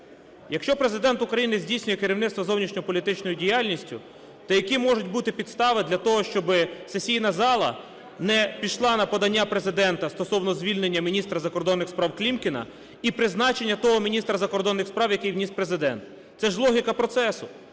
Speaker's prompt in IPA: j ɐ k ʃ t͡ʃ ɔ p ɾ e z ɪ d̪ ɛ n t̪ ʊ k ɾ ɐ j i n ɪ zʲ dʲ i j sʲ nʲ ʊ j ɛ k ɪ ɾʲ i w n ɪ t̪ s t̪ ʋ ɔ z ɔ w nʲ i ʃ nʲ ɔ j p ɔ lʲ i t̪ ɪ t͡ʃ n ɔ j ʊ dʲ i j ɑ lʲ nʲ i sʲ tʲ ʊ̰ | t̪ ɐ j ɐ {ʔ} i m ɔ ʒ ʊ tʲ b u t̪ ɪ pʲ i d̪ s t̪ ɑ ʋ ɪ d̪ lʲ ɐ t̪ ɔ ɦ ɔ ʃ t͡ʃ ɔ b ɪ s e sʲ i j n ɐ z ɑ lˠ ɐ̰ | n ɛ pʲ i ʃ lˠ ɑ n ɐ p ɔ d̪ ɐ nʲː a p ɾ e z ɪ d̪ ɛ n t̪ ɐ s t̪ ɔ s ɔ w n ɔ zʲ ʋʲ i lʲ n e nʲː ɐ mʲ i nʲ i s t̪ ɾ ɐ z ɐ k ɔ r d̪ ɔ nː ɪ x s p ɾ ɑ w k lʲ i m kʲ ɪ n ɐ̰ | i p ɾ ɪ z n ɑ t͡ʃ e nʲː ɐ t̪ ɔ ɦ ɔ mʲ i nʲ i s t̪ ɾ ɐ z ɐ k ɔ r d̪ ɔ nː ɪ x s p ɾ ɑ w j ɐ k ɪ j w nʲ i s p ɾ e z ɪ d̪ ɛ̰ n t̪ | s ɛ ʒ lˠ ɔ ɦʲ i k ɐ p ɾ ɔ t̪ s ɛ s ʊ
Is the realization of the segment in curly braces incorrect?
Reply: yes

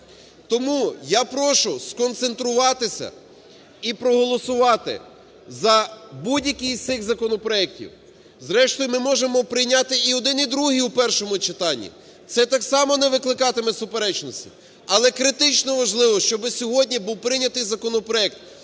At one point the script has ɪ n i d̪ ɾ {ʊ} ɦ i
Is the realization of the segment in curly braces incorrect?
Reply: yes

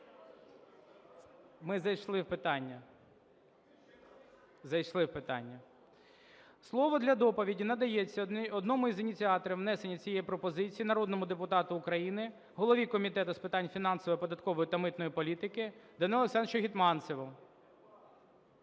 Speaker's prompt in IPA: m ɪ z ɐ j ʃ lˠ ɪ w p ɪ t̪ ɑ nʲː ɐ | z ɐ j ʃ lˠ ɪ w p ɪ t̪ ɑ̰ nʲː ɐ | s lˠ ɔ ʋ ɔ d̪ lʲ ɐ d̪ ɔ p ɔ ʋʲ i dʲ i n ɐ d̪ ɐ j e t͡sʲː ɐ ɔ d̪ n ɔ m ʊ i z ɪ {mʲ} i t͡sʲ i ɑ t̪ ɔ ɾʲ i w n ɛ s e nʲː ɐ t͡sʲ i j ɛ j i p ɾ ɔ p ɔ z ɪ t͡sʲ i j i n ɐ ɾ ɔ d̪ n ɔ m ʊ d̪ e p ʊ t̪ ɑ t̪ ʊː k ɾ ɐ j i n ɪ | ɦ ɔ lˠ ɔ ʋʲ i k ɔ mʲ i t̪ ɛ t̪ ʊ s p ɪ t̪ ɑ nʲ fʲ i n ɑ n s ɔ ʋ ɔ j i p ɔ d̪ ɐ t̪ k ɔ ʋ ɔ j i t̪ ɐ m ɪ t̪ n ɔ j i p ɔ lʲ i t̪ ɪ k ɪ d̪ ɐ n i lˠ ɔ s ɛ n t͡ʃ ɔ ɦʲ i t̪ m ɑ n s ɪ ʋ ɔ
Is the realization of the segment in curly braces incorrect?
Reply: yes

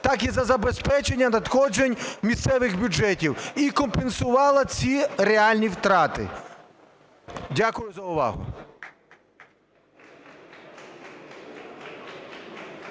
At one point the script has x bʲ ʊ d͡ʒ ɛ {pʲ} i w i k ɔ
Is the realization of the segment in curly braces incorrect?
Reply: yes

